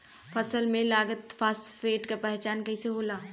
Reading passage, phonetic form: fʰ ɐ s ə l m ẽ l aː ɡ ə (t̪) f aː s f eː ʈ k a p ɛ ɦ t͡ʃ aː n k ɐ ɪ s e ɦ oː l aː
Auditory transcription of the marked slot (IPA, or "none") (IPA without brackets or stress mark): t̪